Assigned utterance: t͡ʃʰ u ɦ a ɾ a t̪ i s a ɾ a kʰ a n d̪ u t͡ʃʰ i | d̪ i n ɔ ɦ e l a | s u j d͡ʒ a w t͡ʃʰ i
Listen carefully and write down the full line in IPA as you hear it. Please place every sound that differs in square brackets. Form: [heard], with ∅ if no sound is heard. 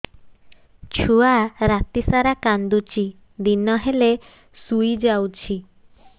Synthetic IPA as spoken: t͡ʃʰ u [∅] a ɾ a t̪ i s a ɾ a [k] a n d̪ u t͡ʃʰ i | d̪ i n ɔ ɦ e l [e] | s u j d͡ʒ a w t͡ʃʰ i